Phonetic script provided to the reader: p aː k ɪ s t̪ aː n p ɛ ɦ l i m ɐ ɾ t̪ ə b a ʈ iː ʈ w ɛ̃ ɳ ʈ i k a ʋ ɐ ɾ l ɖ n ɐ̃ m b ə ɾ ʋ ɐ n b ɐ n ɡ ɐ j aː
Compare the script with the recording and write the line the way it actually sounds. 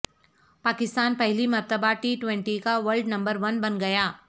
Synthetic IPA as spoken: p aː k ɪ s t̪ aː n p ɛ ɦ l i m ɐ ɾ t̪ ə b a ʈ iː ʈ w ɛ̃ ɳ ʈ i k a ʋ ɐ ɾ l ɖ n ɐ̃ m b ə ɾ ʋ ɐ n b ɐ n ɡ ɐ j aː